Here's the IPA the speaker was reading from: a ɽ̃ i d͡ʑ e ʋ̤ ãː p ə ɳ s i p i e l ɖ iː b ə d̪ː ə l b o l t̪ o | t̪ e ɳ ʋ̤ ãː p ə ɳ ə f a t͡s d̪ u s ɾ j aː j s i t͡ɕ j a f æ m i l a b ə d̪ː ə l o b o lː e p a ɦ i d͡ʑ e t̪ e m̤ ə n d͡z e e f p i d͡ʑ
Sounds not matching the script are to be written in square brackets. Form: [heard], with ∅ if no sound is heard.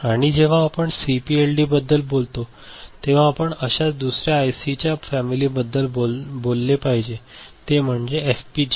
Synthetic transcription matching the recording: a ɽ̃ i d͡ʑ e ʋ̤ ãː p ə ɳ s i p i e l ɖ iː b ə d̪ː ə l b o l t̪ o | t̪ e [∅] ʋ̤ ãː p ə ɳ ə [ɕ] a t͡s d̪ u s ɾ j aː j s i t͡ɕ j a f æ m i l [i] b ə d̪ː ə l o b o lː e p a ɦ i d͡ʑ e t̪ e m̤ ə [ɳ] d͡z e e f p i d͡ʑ